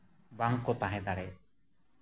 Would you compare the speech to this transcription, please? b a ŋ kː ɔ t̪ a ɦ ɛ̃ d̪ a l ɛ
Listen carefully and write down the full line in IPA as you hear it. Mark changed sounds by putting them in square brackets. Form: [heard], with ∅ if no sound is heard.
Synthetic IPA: b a ŋ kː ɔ t̪ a ɦ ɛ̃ d̪ a [ɽ] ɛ